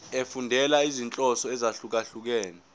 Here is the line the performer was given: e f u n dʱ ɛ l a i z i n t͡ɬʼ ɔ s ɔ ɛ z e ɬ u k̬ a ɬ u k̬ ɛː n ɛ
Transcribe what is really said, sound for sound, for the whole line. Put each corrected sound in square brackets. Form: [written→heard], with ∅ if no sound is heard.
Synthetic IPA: e f u n dʱ ɛ l a i z i n t͡ɬʼ ɔ s ɔ ɛ z [e→a] ɬ u k̬ a ɬ u k̬ ɛː n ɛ